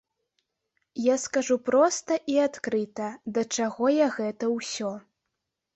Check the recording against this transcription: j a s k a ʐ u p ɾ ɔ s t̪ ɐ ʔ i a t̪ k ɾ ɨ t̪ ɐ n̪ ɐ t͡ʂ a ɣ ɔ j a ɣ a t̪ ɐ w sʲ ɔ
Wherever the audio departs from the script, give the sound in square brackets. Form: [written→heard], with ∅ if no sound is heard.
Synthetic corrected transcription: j a s k a ʐ u p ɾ ɔ s t̪ ɐ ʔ i a t̪ k ɾ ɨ t̪ ɐ [n̪→d̪] ɐ t͡ʂ a ɣ ɔ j a ɣ [a→ɛ] t̪ ɐ w sʲ ɔ